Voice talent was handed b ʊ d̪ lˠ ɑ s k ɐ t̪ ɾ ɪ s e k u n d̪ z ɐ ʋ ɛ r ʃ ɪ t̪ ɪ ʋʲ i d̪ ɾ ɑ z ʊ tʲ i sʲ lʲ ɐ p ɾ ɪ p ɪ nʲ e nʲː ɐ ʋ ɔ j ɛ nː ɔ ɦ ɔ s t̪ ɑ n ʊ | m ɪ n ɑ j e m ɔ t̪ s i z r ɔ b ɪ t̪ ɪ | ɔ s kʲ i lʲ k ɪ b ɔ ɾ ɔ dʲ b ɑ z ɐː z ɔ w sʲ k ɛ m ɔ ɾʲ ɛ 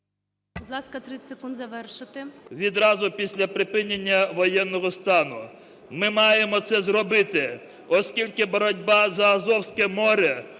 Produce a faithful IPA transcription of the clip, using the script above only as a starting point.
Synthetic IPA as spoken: b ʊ d̪ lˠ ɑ s k ɐ t̪ ɾ ɪ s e k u n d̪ z ɐ ʋ ɛ r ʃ ɪ t̪ ɪ ʋʲ i d̪ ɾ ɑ z ʊ pʲ i sʲ lʲ ɐ p ɾ ɪ p ɪ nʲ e nʲː ɐ ʋ ɔ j ɛ nː ɔ ɦ ɔ s t̪ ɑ n ʊ | m ɪ m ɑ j e m ɔ t̪ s ɛ z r ɔ b ɪ t̪ ɪ | ɔ s kʲ i lʲ k ɪ b ɔ ɾ ɔ dʲ b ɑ z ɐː z ɔ w sʲ k ɛ m ɔ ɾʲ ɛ